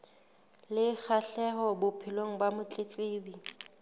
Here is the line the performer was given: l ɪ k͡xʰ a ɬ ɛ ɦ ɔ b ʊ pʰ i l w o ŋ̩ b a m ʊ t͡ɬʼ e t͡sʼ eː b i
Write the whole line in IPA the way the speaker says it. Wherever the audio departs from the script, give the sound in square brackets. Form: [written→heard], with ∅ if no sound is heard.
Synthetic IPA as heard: l ɪ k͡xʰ a ɬ ɛ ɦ ɔ b ʊ pʰ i l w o ŋ̩ b a m ʊ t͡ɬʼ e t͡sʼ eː b i